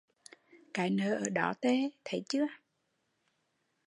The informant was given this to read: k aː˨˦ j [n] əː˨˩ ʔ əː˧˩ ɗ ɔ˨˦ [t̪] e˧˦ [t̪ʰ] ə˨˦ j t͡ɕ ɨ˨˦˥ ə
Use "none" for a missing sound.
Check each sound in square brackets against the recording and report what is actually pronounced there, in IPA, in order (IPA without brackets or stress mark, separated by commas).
n, t̪, t̪ʰ